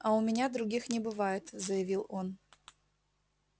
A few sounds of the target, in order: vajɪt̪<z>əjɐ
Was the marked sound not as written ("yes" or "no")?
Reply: no